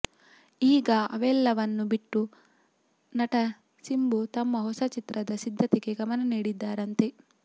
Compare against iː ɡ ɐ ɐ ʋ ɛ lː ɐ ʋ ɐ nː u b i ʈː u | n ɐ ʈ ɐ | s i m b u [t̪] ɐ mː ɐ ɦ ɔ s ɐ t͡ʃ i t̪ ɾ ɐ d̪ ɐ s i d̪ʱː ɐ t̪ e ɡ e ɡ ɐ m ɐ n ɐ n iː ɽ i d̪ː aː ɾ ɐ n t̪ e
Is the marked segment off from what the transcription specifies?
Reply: no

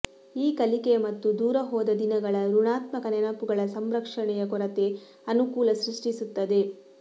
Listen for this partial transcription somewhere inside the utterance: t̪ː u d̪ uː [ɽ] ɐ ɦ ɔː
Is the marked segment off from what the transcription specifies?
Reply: yes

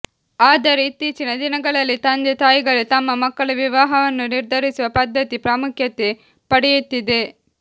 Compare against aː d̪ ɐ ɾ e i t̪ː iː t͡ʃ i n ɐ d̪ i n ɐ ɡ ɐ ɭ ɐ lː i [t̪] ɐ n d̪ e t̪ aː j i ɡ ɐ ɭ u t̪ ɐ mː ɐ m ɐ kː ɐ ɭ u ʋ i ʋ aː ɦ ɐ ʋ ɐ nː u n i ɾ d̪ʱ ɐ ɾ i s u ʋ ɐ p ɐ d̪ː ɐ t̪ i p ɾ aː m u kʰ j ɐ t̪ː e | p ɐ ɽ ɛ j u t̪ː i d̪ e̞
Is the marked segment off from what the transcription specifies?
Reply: no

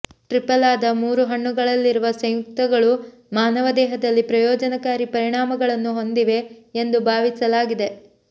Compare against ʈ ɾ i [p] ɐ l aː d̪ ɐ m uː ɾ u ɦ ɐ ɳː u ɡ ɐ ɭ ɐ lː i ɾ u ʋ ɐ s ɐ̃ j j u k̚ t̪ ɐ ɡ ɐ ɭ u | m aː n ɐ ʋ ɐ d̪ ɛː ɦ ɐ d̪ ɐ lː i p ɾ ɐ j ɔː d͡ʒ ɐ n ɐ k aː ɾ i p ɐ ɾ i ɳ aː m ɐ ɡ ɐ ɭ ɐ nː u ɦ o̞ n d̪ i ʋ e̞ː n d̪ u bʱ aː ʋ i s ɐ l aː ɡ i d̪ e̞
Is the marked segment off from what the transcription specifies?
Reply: no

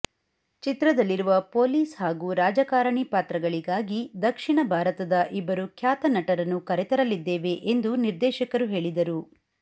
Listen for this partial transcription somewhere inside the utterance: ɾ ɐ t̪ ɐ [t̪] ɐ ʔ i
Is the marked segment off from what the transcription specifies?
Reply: yes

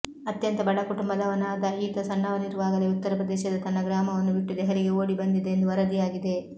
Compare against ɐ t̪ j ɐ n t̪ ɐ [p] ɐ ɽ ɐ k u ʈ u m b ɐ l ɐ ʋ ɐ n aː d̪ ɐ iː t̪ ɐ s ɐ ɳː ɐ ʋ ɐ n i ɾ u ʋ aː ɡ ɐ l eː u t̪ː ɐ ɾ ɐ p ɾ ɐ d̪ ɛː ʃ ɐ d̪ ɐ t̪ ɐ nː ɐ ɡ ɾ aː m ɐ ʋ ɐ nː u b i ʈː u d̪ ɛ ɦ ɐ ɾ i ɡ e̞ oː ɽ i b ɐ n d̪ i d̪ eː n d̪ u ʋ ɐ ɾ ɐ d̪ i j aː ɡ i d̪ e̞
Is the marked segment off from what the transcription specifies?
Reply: yes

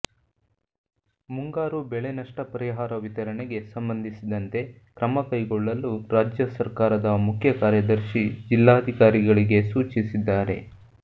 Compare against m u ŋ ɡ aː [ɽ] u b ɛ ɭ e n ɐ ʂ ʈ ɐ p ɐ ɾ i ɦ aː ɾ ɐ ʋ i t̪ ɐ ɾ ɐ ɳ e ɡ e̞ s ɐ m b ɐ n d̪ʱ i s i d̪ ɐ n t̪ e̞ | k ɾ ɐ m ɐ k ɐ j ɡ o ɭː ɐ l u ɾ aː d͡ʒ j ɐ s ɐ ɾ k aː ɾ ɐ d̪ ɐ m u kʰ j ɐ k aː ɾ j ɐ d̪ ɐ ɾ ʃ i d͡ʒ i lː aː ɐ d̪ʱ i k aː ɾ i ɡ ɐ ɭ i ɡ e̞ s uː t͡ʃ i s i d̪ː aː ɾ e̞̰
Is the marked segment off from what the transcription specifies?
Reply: yes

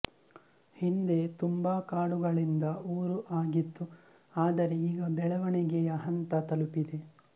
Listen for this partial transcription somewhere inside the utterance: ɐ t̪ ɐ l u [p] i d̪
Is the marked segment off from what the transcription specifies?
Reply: no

